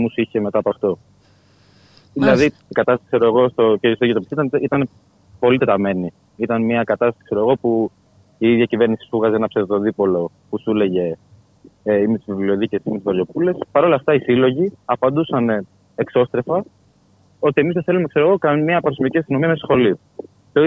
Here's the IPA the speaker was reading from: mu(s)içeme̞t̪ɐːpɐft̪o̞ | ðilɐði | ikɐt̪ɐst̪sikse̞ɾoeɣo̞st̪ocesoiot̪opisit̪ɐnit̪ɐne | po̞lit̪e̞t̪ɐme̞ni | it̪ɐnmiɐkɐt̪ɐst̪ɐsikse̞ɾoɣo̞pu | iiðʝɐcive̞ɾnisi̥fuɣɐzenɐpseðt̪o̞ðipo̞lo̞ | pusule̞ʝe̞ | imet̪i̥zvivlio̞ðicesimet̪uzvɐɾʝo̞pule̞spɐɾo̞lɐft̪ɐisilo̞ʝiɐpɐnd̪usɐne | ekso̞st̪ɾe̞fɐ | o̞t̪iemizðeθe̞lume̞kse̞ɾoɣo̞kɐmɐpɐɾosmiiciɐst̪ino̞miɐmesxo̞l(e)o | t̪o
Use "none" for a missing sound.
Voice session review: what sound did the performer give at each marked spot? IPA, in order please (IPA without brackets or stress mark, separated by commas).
s, i